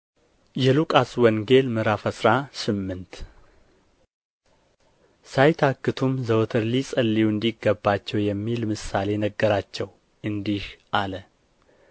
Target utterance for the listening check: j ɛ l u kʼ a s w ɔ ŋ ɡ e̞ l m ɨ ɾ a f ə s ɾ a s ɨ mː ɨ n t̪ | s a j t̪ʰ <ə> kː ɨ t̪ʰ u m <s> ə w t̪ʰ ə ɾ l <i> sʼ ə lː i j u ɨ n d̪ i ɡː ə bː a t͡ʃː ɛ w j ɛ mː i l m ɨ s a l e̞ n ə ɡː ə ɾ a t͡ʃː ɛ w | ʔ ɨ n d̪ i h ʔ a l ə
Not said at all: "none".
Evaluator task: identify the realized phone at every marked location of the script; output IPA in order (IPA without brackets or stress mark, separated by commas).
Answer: a, z, i